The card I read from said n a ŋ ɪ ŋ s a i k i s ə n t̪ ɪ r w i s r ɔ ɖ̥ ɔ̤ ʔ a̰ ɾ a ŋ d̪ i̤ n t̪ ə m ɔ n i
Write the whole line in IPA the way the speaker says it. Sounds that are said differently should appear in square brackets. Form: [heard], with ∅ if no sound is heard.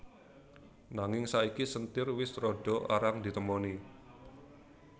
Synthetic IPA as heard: n a ŋ ɪ ŋ s a i k i s ə n t̪ ɪ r w [ɪ] s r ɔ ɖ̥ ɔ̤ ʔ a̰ ɾ a ŋ d̪ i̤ [∅] t̪ ə m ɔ n i